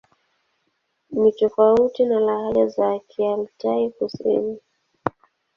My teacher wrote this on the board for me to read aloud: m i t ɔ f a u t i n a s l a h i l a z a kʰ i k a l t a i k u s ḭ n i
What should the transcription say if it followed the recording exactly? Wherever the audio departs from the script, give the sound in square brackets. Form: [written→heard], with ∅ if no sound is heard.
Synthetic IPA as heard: m i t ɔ f a u t i n a [s→∅] l a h [i→a] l a z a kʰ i [k→∅] a l t a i k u s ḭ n i